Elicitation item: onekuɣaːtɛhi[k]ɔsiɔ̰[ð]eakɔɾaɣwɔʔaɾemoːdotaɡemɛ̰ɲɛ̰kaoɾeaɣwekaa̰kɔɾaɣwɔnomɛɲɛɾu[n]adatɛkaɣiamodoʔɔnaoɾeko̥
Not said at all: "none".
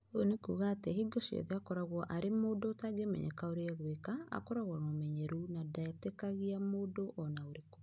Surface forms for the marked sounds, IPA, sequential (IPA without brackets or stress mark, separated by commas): ɡ, ð, n